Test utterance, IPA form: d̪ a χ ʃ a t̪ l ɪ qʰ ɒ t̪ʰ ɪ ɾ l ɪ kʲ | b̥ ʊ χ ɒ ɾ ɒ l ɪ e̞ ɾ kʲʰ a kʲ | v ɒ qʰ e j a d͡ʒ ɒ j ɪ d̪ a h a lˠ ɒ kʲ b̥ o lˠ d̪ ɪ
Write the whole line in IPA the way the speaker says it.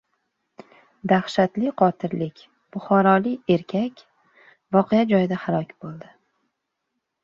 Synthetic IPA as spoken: d̪ a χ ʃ a t̪ l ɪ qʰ ɒ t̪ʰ ɪ ɾ l ɪ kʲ | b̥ ʊ χ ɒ ɾ ɒ l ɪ e̞ ɾ kʲʰ a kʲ | v ɒ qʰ e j a d͡ʒ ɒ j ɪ d̪ a h a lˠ ɒ kʲ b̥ o lˠ d̪ ɪ